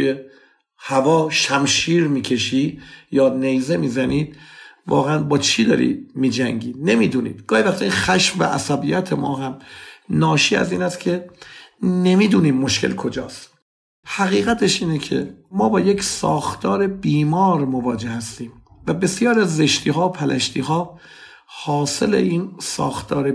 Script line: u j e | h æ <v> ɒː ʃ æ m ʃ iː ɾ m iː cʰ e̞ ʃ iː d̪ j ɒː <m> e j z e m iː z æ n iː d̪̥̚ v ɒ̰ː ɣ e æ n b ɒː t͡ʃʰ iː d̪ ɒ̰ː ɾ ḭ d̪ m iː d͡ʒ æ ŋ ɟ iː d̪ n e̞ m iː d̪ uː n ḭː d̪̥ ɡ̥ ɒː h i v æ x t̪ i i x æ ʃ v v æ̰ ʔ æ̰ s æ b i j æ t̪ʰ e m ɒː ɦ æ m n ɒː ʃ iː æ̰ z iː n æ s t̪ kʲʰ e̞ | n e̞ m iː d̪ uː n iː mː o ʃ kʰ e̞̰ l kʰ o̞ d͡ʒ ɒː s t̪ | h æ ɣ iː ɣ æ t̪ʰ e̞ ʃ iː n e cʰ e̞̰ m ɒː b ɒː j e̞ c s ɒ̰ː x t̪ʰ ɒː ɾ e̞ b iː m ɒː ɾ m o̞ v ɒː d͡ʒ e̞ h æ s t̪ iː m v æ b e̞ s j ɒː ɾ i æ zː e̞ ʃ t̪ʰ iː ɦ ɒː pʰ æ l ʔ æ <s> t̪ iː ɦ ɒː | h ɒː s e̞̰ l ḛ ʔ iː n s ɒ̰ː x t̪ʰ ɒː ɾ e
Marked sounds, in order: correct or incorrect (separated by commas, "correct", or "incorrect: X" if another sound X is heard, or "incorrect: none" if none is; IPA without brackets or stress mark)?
correct, incorrect: n, incorrect: ʃ